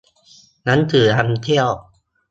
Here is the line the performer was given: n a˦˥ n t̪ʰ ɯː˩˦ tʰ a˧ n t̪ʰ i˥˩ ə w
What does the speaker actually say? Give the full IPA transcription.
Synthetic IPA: n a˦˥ n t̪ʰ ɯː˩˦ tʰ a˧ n t̪ʰ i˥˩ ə w